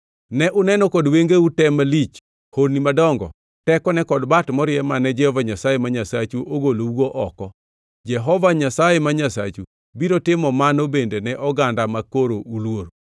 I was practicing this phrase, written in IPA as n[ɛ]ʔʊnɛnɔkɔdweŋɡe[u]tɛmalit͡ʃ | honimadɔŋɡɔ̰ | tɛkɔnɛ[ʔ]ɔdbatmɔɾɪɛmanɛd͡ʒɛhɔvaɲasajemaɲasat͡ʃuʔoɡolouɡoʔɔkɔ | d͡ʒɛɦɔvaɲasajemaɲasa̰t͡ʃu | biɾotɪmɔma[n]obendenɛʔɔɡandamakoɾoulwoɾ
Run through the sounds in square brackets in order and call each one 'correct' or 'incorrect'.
correct, correct, incorrect: k, correct

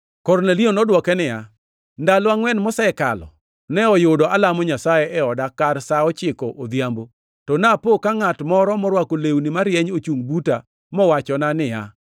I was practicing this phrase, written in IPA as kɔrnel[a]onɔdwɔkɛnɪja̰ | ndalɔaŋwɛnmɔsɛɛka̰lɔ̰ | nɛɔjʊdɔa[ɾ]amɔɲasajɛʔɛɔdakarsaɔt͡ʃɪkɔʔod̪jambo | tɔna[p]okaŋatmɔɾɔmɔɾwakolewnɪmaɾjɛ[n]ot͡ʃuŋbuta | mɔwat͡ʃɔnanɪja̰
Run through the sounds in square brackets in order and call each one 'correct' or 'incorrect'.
incorrect: i, incorrect: l, correct, incorrect: ɲ

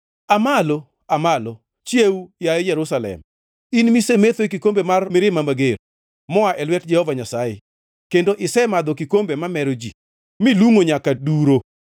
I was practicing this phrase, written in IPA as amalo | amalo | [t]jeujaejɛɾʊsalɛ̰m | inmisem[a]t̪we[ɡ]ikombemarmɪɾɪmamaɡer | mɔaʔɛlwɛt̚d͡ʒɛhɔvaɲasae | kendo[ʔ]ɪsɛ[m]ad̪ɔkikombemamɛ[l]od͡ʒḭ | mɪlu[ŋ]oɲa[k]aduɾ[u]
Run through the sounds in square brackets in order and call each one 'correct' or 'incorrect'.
incorrect: t͡ʃ, incorrect: e, incorrect: k, correct, correct, incorrect: ɾ, correct, correct, incorrect: o

